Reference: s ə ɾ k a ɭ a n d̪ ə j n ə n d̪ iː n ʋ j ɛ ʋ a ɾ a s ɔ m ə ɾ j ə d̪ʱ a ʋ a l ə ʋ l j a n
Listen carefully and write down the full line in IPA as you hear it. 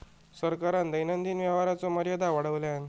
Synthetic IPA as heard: s ə ɾ k a ɾ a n d̪ ə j n ə n d̪ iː n ʋ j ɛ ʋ a ɾ a t͡s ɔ m ə ɾ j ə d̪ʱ a ʋ a ɽ ə ʋ l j a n